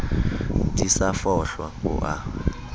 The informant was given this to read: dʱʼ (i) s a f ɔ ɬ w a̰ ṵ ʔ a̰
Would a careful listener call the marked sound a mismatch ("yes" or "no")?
no